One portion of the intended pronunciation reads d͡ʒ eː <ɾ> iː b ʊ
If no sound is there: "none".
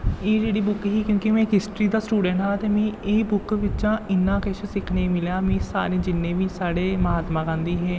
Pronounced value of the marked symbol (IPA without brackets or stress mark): ɽ